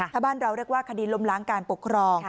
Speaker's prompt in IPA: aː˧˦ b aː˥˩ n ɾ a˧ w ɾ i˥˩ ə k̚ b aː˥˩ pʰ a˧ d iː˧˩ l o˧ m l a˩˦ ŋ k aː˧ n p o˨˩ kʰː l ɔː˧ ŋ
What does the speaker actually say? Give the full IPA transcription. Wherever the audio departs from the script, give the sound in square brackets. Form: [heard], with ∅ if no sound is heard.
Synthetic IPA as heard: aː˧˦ b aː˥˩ n ɾ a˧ w ɾ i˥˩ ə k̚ [w] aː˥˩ [kʰ] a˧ d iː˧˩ l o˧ m l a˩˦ ŋ k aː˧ n p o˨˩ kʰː [ɾ] ɔː˧ ŋ